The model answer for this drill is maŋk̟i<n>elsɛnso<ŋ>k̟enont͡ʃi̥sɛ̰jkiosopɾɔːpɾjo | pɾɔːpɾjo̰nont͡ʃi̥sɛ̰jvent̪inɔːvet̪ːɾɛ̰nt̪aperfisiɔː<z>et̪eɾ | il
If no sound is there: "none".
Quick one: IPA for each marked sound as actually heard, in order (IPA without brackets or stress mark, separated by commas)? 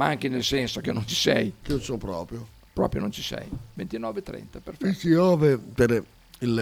n, none, v